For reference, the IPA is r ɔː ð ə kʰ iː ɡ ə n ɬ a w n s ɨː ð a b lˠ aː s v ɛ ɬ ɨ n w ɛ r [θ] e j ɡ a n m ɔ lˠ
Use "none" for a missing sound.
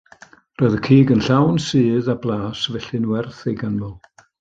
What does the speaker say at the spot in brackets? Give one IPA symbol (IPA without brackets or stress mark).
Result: θ